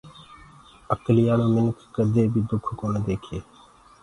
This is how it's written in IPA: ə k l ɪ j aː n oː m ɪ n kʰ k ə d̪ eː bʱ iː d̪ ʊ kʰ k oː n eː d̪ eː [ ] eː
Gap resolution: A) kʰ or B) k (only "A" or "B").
A